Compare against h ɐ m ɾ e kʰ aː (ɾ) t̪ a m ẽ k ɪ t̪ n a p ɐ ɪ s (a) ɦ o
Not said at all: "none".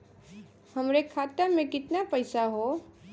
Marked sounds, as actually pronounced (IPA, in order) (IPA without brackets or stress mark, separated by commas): none, a